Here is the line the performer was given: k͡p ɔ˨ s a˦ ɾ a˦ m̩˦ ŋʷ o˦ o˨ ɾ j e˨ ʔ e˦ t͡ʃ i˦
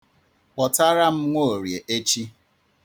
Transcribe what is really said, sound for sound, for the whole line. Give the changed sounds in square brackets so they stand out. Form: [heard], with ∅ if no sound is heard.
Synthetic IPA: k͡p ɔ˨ [t] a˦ ɾ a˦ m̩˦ ŋʷ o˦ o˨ ɾ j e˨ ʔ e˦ t͡ʃ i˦